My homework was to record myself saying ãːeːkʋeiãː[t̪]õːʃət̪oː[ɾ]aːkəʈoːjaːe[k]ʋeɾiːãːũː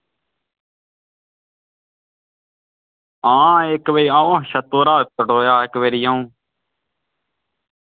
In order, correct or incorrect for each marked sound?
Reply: incorrect, correct, correct

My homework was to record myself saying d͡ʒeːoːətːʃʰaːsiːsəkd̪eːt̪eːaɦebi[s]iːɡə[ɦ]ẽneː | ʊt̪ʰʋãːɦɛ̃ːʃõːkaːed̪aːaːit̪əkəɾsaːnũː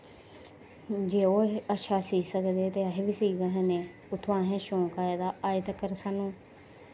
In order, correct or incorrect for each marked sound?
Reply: correct, correct

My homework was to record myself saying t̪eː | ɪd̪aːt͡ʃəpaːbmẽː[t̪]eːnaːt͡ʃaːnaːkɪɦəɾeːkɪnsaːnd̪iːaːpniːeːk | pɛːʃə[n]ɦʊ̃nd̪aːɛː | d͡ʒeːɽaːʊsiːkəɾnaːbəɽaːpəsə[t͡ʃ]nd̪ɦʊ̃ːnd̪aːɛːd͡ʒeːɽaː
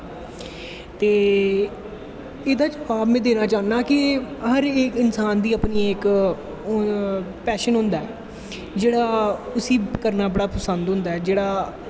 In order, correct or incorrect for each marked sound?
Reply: incorrect, correct, incorrect

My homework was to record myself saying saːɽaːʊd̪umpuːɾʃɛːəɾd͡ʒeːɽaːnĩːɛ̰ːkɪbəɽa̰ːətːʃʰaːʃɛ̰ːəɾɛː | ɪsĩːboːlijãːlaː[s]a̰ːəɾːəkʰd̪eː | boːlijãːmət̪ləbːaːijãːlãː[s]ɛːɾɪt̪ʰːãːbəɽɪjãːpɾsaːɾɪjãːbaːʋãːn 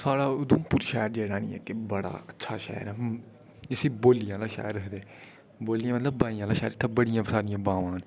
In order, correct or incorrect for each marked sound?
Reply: incorrect, incorrect

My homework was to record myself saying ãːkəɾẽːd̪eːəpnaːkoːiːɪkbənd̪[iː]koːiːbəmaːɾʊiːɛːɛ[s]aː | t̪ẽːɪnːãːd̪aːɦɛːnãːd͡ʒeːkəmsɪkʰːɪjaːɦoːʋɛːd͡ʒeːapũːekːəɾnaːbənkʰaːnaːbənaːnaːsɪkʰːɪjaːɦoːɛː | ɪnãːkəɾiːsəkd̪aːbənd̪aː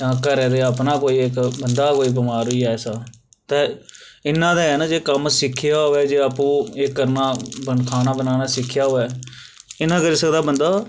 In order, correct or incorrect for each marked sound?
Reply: incorrect, correct

